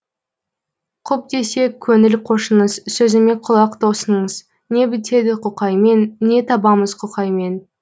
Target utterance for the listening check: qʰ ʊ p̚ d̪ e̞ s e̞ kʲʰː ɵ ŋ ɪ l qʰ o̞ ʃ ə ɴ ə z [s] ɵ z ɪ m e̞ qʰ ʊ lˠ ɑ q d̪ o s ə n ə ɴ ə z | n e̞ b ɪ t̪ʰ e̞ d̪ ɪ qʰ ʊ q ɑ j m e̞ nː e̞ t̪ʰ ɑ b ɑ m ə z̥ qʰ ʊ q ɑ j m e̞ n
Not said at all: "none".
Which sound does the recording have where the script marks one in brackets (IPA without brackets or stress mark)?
s